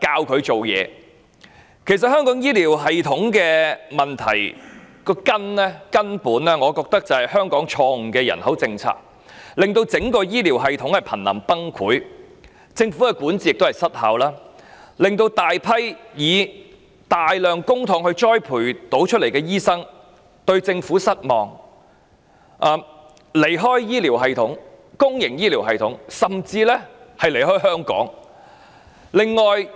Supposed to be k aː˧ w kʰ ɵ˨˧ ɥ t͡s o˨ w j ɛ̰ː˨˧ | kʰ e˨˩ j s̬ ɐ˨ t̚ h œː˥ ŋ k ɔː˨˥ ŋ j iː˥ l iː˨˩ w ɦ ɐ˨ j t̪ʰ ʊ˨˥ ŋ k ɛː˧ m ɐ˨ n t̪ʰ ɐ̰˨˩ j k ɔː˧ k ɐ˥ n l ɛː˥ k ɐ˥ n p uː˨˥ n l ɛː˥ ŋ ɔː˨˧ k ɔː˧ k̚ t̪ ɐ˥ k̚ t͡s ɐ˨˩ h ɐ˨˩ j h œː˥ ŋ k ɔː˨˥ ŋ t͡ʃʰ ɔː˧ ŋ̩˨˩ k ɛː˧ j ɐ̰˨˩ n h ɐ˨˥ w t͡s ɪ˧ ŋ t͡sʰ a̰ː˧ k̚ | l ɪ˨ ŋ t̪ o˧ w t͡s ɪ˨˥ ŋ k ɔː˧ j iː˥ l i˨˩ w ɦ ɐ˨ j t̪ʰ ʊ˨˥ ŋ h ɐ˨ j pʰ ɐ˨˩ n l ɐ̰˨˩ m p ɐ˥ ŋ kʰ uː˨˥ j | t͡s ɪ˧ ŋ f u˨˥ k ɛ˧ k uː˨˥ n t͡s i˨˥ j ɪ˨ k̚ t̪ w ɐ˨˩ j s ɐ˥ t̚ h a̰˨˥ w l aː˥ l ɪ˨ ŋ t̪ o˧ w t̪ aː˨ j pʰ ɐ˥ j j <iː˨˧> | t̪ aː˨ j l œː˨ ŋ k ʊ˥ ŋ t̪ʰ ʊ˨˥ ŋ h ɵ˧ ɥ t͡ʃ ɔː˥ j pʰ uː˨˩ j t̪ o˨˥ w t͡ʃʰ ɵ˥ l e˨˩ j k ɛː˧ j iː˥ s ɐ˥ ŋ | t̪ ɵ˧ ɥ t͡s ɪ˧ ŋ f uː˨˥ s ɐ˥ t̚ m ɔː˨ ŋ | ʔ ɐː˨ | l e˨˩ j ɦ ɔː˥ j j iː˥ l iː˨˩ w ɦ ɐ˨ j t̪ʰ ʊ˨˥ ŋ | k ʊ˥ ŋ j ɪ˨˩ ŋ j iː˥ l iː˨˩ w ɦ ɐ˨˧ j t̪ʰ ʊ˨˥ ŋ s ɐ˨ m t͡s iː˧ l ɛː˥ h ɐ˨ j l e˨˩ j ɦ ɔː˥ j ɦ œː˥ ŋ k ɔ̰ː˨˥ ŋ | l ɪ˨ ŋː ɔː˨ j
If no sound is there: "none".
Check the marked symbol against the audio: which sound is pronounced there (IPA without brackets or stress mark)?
iː˨˧